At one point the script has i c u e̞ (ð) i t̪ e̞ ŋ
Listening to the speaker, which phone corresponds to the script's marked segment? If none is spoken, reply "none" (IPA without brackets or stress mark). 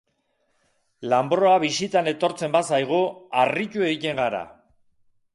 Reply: ɣ